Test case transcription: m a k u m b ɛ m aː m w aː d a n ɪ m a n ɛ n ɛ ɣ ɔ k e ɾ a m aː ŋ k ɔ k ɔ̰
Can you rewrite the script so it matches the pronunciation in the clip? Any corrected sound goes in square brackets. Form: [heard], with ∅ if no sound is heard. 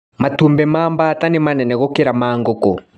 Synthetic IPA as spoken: m a [t] u m b ɛ m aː m [b] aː [t] a n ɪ m a n ɛ n ɛ ɣ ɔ k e ɾ a m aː ŋ [ɡ] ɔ k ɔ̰